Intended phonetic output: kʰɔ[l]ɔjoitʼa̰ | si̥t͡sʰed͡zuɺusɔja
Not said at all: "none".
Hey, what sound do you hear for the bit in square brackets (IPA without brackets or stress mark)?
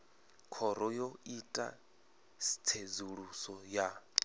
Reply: ɾ